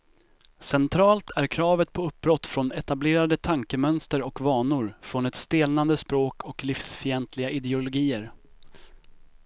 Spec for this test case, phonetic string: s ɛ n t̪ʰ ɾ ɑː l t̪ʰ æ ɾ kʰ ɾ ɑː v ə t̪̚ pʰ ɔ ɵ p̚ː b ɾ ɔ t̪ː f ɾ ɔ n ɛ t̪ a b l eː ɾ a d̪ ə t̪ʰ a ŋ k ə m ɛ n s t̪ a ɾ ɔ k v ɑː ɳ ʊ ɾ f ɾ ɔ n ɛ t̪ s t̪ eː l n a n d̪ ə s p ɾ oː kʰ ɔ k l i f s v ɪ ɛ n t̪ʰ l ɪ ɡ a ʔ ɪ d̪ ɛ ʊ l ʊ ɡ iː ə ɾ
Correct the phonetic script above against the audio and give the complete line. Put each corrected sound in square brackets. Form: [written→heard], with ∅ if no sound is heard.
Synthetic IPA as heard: s ɛ n t̪ʰ ɾ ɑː l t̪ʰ æ ɾ kʰ ɾ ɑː v ə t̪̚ pʰ ɔ ɵ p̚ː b ɾ ɔ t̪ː f ɾ ɔ n ɛ t̪ a b l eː ɾ a d̪ ə t̪ʰ a ŋ k ə m [ɛ→œ] n s t̪ [a→ə] ɾ ɔ k v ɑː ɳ ʊ ɾ f ɾ ɔ n ɛ t̪ s t̪ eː l n a n d̪ ə s p ɾ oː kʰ ɔ k l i f s [v→f] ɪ ɛ n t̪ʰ l ɪ ɡ a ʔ ɪ d̪ ɛ ʊ l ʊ ɡ iː ə ɾ